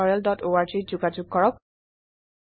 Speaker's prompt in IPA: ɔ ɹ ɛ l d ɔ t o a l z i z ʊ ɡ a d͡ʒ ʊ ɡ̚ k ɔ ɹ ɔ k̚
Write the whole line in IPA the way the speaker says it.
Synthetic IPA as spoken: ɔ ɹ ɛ l d ɔ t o a ɹ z i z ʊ ɡ a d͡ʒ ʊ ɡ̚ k ɔ ɹ ɔ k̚